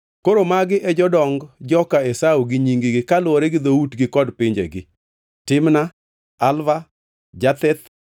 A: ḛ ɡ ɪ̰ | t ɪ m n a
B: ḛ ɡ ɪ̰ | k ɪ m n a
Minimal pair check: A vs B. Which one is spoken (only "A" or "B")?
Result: A